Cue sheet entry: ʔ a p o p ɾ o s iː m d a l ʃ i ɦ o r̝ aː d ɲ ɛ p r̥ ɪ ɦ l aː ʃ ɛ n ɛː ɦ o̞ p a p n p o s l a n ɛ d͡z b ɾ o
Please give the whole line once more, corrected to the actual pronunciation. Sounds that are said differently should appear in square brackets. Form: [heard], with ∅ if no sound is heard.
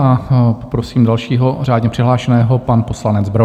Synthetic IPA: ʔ a p o p ɾ o s iː m d a l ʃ [iː] ɦ o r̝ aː d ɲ ɛ p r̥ ɪ ɦ l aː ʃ ɛ n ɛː ɦ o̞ p a [∅] n p o s l a n ɛ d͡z b ɾ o